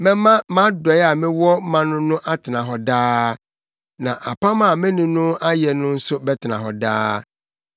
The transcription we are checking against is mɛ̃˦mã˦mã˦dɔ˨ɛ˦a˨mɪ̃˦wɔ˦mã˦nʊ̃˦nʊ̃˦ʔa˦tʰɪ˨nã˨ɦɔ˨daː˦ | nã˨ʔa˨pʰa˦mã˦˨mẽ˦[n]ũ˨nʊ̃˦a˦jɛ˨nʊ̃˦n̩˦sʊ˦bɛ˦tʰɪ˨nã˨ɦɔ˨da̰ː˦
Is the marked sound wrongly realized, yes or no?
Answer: no